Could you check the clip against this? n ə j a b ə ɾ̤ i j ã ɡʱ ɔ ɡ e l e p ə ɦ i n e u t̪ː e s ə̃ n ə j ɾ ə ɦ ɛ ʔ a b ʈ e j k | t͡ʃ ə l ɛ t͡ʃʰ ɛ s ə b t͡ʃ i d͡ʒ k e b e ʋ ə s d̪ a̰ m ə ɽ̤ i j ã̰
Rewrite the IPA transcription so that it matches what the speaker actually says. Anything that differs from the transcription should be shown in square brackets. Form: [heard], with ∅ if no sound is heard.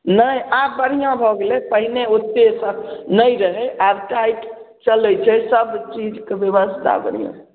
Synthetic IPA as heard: n ə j a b ə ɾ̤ i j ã [bʱ] ɔ ɡ e l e p ə ɦ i n e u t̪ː e s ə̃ n ə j ɾ ə ɦ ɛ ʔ a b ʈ [a] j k | t͡ʃ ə l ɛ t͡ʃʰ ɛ s ə b t͡ʃ i d͡ʒ k e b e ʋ ə s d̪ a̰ [b] ə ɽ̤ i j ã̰